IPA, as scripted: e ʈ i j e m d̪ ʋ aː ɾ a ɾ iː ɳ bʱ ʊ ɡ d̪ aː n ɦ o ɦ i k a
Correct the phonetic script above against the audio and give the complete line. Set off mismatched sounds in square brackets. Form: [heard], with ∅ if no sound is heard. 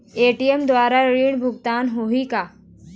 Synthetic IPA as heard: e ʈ i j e m d̪ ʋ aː ɾ a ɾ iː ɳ bʱ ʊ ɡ [t̪] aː n ɦ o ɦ i k a